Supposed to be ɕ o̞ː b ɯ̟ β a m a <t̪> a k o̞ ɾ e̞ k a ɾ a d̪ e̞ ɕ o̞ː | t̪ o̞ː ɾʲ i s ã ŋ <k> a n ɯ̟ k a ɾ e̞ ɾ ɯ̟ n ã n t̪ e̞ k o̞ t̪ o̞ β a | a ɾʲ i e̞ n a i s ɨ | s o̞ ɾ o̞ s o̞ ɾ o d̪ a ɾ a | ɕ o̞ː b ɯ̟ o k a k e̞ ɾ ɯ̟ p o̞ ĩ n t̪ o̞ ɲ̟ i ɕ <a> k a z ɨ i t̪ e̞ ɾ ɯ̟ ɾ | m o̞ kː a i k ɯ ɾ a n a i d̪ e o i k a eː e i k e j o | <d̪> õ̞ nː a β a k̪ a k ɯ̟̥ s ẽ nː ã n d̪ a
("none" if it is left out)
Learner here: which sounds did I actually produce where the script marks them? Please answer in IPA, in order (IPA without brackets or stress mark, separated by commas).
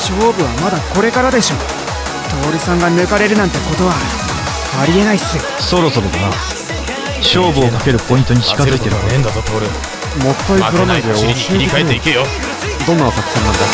d̪, ɡ, i, d̪